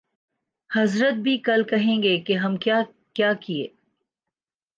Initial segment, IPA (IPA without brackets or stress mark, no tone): h